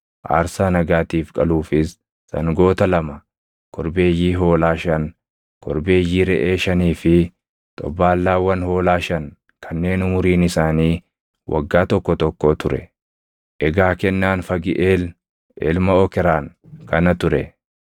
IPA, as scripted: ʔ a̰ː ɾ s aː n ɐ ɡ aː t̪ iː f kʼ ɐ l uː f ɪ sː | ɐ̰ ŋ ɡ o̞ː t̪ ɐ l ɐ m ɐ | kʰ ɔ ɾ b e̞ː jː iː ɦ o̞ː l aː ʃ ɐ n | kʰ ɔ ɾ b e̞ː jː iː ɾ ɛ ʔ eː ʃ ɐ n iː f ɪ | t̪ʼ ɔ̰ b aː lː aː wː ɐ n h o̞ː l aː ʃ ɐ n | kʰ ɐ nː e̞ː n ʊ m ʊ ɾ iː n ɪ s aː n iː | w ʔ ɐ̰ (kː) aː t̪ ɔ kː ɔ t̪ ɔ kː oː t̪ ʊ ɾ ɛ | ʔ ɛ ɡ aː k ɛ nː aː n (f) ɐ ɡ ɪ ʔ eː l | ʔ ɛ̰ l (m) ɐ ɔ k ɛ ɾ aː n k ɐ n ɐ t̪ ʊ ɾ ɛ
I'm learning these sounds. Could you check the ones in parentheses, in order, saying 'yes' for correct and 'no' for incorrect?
no, yes, yes

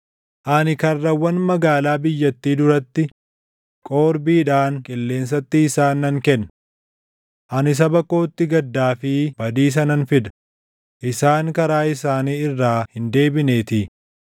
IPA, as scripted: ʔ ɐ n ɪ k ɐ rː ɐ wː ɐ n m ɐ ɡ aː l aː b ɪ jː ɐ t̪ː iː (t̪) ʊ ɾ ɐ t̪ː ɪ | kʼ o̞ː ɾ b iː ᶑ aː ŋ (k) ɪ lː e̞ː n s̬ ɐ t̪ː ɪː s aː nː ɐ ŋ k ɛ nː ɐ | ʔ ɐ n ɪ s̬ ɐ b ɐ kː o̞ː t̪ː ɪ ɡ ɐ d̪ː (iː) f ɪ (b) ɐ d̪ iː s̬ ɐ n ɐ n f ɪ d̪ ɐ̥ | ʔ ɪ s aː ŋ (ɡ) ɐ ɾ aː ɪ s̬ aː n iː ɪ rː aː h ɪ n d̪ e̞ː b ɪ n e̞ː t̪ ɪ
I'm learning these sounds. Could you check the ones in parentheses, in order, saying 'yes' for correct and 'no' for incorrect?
no, no, no, yes, no

